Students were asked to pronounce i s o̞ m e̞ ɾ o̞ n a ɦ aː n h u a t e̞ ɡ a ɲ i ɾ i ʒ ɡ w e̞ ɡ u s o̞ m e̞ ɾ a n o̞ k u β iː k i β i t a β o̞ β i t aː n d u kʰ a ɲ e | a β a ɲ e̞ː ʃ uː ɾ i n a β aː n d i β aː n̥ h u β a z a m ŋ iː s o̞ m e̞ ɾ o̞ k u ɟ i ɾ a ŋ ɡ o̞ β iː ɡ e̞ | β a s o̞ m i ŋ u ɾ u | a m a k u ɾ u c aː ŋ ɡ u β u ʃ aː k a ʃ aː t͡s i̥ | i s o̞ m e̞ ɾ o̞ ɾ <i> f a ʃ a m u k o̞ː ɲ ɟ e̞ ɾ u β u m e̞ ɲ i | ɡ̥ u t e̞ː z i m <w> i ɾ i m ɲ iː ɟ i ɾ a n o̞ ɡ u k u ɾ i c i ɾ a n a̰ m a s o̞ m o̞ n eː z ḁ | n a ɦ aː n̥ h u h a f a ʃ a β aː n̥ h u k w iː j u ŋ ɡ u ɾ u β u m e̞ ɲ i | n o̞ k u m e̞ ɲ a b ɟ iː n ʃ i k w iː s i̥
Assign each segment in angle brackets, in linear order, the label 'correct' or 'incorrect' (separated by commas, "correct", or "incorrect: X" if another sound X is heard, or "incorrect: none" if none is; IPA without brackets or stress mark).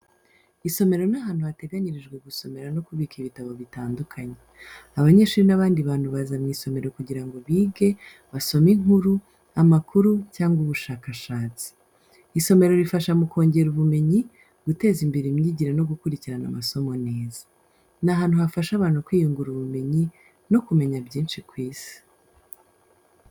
correct, incorrect: b